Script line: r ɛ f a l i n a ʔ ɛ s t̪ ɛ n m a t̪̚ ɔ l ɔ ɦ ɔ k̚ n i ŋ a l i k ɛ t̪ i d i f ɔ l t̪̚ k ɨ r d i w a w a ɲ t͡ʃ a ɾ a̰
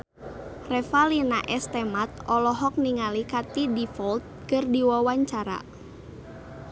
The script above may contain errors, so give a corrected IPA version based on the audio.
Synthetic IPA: r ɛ f a l i n a ʔ ɛ s t̪ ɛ m a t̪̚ ɔ l ɔ ɦ ɔ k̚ n i ŋ a l i k a t̪ i d i f ɔ l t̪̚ k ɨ r d i w a w a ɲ t͡ʃ a ɾ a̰